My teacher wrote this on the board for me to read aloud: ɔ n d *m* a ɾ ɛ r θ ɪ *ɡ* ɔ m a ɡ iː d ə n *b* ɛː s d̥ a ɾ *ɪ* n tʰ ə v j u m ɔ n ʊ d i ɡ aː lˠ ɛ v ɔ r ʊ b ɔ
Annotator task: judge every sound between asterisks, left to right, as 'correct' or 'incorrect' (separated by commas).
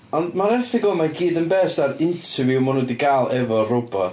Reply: correct, correct, correct, correct